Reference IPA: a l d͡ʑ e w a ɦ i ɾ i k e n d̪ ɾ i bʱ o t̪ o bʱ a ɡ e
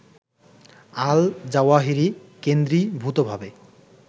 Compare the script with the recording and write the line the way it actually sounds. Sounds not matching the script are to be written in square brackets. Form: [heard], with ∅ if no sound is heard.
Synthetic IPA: a l d͡ʑ [a] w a ɦ i ɾ i k e n d̪ ɾ i bʱ [u] t̪ o bʱ a [b] e